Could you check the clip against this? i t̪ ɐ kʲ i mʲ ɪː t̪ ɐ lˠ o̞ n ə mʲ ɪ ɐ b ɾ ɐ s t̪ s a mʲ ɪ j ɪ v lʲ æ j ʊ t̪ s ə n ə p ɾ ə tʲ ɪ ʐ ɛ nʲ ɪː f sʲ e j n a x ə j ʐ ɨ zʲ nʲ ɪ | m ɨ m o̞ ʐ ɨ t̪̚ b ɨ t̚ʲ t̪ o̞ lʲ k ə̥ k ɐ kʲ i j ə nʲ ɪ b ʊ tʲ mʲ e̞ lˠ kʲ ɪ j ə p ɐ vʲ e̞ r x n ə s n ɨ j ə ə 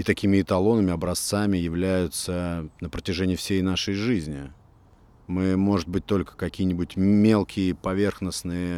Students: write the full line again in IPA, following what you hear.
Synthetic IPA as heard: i t̪ ɐ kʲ i mʲ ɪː t̪ ɐ lˠ o̞ n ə mʲ ɪ ɐ b ɾ ɐ s t̪ s a mʲ ɪ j ɪ v lʲ æ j ʊ t̪ s ə n ə p ɾ ə tʲ ɪ ʐ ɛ nʲ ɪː f sʲ e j n a ʂ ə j ʐ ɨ zʲ nʲ ɪ | m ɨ m o̞ ʐ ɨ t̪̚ b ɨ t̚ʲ t̪ o̞ lʲ k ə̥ k ɐ kʲ i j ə nʲ ɪ b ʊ tʲ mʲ e̞ lˠ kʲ ɪ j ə p ɐ vʲ e̞ r x n ə s n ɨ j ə ə